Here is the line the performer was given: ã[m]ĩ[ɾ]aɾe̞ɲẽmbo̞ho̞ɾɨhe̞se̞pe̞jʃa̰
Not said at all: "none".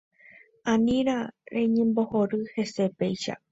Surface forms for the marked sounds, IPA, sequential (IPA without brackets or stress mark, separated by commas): n, ɾ